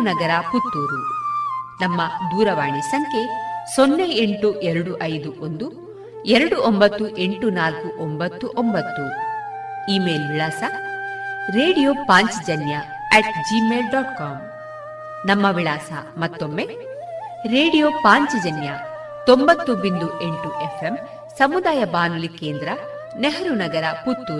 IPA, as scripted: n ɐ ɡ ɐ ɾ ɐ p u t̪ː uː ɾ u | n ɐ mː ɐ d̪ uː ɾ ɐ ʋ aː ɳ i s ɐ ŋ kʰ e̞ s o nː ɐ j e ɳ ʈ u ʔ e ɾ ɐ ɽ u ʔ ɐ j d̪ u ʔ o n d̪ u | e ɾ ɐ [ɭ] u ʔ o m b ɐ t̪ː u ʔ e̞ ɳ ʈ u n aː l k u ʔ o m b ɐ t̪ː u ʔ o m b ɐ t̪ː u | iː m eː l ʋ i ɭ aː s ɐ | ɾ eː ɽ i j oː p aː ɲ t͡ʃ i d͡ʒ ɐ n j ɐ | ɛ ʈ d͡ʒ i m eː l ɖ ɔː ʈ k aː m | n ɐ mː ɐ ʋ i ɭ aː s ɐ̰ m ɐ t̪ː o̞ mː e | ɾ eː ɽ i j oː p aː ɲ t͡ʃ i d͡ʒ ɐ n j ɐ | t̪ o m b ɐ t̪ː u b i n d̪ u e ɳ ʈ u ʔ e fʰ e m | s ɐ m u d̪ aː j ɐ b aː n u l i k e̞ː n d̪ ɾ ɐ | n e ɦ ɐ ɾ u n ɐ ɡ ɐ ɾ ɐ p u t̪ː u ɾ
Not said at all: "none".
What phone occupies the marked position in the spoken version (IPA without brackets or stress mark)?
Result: ɽ